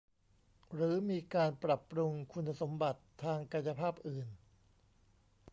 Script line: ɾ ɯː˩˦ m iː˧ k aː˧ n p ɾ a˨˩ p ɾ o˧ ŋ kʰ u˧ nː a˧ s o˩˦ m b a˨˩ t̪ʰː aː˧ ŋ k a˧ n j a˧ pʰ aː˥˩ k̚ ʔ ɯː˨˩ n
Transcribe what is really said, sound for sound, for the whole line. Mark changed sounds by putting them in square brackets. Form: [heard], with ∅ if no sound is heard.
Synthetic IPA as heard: ɾ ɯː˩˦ m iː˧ k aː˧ n p ɾ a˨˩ p ɾ [u˧] ŋ kʰ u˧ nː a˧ s o˩˦ m b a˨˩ t̪ʰː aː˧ ŋ k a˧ n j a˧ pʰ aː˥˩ [p̚] ʔ ɯː˨˩ n